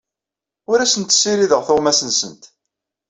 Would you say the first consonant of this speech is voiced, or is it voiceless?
voiced